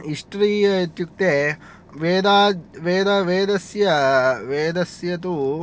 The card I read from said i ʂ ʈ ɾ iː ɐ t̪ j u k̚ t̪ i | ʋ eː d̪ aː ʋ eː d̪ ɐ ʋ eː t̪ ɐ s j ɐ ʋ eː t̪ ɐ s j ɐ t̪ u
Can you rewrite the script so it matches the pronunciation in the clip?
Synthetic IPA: i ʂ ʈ ɾ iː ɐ t̪ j u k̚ t̪ e | ʋ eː d̪ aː ʋ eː d̪ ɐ ʋ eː d̪ ɐ s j ɐ ʋ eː d̪ ɐ s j ɐ t̪ u